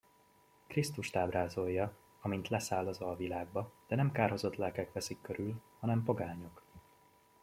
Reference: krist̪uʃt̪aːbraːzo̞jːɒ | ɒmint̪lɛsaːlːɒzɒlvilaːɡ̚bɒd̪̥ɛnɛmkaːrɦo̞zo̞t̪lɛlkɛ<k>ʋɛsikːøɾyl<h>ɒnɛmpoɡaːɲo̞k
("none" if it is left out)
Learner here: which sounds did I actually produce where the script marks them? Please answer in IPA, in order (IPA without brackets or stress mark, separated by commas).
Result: k, h